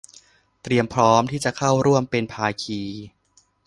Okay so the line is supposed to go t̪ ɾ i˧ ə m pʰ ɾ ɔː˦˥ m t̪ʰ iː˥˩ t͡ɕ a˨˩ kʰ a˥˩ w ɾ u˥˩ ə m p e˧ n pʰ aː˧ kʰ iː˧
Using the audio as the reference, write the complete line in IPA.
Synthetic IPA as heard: t̪ ɾ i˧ ə m pʰ ɾ ɔː˦˥ m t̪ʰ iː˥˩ t͡ɕ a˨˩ kʰ a˥˩ w ɾ u˥˩ ə m p e˧ n pʰ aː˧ kʰ iː˧